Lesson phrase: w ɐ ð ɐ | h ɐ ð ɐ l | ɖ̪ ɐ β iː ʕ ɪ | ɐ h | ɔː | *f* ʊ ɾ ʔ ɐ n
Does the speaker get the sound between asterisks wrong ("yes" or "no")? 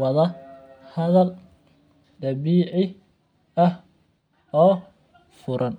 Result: no